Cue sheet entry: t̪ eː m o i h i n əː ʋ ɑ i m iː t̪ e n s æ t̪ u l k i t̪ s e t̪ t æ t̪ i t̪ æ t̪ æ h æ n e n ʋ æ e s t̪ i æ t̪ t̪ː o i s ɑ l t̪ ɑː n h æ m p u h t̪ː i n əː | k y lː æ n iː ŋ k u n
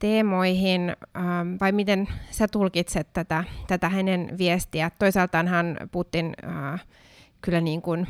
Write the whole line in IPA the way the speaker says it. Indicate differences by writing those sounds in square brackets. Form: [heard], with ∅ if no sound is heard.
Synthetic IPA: t̪ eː m o i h i n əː ʋ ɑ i m [i] t̪ e n s æ t̪ u l k i t̪ s e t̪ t æ t̪ [æ] t̪ æ t̪ æ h æ n e n ʋ [i] e s t̪ i æ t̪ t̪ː o i s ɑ l t̪ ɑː n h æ [n] p u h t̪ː i n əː | k y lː æ n iː ŋ k u n